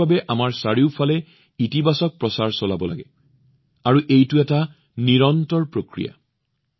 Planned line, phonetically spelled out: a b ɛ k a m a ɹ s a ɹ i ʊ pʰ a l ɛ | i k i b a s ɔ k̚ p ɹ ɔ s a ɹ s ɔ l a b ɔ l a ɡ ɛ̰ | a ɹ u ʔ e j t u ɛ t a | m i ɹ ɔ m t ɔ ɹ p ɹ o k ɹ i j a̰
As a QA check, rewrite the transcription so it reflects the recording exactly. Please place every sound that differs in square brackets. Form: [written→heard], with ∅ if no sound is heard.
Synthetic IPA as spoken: a b ɛ [k→ʔ] a m a ɹ s a ɹ i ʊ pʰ a l ɛ | i [k→t] i b a s ɔ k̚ p ɹ ɔ s a ɹ s ɔ l a b ɔ l a ɡ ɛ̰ | a ɹ u ʔ e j t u ɛ t a | [m→n] i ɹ ɔ [m→n] t ɔ ɹ p ɹ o k ɹ i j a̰